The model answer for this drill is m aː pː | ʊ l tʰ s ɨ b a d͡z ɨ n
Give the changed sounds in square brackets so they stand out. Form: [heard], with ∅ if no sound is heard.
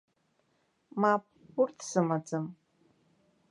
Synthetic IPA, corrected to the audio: m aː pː | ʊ [r] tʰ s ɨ [m] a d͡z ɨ [m]

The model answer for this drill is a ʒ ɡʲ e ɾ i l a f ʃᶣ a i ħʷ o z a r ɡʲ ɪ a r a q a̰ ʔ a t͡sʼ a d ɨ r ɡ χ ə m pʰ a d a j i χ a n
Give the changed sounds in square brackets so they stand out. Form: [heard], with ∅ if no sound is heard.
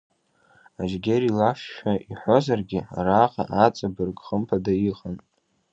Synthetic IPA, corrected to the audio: a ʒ ɡʲ e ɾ i l a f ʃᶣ a i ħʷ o z a r ɡʲ ɪ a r a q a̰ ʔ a t͡sʼ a [b] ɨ r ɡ χ ə m pʰ a d a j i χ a n

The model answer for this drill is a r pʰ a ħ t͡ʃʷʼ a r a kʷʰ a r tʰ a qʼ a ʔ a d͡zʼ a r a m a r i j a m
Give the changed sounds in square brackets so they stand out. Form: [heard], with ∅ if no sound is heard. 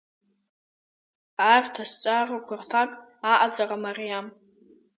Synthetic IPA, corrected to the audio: a r [tʰ] a [s] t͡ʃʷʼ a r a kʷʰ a r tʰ a [kʼ] a ʔ a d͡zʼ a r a m a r i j a m

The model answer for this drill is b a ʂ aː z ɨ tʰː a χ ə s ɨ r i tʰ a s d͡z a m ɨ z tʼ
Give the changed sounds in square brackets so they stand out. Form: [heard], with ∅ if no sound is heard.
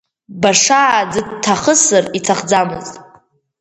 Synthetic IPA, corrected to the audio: b a ʂ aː [d͡z] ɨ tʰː a χ ə s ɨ r i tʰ a [χ] d͡z a m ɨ z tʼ

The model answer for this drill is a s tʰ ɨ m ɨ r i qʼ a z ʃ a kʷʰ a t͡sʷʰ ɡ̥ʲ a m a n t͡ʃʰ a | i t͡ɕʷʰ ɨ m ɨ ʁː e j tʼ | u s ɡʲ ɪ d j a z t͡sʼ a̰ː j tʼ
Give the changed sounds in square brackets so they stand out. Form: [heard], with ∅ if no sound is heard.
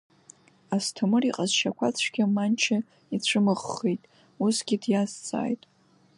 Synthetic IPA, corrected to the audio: a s tʰ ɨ m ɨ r i qʼ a z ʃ a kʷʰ a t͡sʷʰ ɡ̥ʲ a m a n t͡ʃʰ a | i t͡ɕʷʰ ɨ m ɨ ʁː e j tʼ | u s ɡʲ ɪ d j a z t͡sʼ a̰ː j tʼ

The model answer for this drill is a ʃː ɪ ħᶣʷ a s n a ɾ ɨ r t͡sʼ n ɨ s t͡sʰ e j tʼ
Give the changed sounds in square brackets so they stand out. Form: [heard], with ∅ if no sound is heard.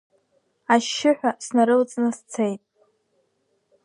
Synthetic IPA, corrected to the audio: a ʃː ɪ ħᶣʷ a s n a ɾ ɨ [l] t͡sʼ n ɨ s t͡sʰ e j tʼ

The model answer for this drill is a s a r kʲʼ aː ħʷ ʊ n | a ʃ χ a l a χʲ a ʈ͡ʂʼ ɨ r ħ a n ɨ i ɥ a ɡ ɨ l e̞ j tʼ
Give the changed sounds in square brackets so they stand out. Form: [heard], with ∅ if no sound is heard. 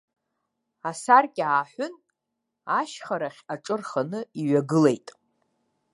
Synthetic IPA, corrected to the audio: a s a r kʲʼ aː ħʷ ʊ n | a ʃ χ a [ɾ] a χʲ a ʈ͡ʂʼ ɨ r [χ] a n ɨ i ɥ a ɡ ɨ l e̞ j tʼ

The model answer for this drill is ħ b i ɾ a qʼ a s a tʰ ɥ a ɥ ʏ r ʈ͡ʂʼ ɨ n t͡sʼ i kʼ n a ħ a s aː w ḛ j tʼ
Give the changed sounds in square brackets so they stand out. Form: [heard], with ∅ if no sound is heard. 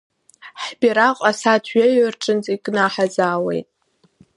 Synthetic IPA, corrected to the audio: ħ b i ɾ a qʼ a s a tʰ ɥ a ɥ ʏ r ʈ͡ʂʼ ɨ n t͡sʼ i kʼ n a ħ a [z] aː w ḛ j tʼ

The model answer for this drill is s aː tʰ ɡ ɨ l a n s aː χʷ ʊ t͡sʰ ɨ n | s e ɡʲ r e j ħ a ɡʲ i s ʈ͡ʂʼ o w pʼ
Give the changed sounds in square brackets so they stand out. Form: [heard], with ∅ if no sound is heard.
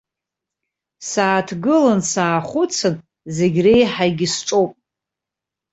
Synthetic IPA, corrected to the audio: s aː tʰ ɡ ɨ l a n s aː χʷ ʊ t͡sʰ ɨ n | [z] e ɡʲ r e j ħ a ɡʲ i s ʈ͡ʂʼ o w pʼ

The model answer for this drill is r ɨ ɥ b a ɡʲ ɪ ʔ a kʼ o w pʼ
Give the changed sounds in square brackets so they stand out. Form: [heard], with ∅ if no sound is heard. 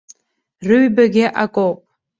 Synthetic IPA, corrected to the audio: r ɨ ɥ b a ɡʲ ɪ ʔ a kʼ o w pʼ

